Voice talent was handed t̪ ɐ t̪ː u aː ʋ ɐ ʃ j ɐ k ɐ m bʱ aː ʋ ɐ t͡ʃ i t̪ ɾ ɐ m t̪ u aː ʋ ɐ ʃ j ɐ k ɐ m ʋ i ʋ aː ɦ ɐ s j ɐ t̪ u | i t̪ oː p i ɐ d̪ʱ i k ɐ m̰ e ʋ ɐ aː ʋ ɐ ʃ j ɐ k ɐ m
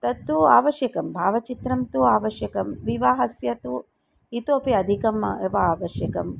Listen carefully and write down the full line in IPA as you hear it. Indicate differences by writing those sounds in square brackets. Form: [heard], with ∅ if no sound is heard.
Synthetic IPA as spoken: t̪ ɐ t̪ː u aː ʋ ɐ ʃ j ɐ k ɐ m bʱ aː ʋ ɐ t͡ʃ i t̪ ɾ ɐ m t̪ u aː ʋ ɐ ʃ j ɐ k ɐ m ʋ i ʋ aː ɦ ɐ s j ɐ t̪ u | i t̪ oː p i ɐ d̪ʱ i k ɐ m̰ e ʋ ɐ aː ʋ ɐ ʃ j ɐ k ɐ m

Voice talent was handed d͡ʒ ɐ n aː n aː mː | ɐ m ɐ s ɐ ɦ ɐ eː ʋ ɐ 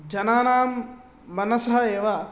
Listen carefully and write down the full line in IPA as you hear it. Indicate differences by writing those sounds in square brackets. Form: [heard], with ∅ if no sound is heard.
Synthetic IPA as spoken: d͡ʒ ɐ n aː n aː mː | ɐ [n] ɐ s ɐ ɦ ɐ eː ʋ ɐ

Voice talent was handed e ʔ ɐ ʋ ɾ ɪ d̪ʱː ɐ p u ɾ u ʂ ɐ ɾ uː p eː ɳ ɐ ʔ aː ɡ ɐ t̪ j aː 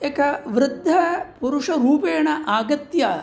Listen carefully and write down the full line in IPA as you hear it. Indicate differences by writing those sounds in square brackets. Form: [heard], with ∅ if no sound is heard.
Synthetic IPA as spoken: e [k] ɐ ʋ ɾ ɪ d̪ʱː ɐ p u ɾ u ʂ ɐ ɾ uː p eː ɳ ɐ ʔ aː ɡ ɐ t̪ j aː

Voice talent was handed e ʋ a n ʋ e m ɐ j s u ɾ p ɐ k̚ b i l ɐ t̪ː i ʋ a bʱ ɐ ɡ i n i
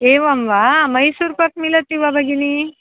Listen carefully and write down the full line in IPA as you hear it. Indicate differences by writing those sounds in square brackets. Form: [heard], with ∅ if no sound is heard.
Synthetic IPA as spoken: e ʋ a [m] ʋ [a] m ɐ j s u ɾ p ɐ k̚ [m] i l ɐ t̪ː i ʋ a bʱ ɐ ɡ i n i

